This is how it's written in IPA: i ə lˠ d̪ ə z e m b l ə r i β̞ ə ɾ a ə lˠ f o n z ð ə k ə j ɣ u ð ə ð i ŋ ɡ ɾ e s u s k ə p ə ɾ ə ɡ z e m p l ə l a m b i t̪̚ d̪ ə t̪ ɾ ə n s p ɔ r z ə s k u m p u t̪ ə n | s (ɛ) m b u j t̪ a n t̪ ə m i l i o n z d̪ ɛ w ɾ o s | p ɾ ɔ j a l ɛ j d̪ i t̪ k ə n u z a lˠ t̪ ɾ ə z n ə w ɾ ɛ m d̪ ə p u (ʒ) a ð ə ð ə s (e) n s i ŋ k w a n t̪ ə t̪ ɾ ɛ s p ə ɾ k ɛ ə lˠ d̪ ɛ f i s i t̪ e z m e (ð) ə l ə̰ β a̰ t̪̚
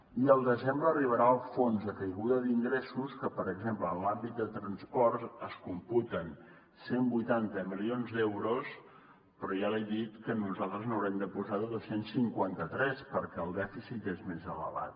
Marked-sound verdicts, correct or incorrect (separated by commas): incorrect, incorrect, correct, incorrect